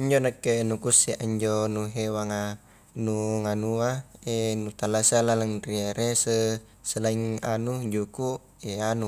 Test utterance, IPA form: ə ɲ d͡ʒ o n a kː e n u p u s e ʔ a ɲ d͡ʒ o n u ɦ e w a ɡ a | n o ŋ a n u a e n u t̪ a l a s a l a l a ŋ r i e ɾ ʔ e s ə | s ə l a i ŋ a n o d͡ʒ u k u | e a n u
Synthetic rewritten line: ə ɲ d͡ʒ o n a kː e n u k u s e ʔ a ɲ d͡ʒ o n u ɦ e w a ŋ a | n u ŋ a n u a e n u t̪ a l a s a l a l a ŋ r i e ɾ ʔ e s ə | s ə l a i ŋ a n u d͡ʒ u k u | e a n u

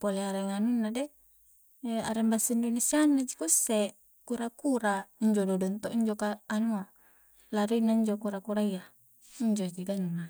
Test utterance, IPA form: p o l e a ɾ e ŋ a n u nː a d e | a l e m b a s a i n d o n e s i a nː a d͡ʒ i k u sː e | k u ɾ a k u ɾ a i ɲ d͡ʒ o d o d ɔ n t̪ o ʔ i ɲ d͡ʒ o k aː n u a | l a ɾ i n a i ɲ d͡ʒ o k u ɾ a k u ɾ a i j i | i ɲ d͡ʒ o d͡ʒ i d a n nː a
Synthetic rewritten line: p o l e a ɾ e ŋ a n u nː a d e | a ɾ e m b a s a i n d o n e s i a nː a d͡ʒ i k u sː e | k u ɾ a k u ɾ a i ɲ d͡ʒ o d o d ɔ n t̪ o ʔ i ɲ d͡ʒ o k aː n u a | l a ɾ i n a i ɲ d͡ʒ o k u ɾ a k u ɾ a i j a | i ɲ d͡ʒ o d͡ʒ i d a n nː a

